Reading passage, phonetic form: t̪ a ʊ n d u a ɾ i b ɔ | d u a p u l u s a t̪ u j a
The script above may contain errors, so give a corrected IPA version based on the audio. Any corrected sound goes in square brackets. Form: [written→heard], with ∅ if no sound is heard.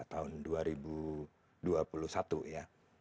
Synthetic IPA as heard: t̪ a ʊ n d u a ɾ i b [ɔ→u] | d u a p u l u s a t̪ u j a